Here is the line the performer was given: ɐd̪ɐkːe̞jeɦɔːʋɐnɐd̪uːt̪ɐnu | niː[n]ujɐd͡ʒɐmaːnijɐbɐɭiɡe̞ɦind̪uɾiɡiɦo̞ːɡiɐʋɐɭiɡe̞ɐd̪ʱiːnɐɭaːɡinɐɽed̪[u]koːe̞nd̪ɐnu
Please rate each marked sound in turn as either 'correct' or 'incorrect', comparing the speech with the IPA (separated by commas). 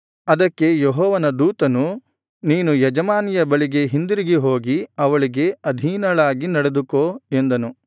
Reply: correct, correct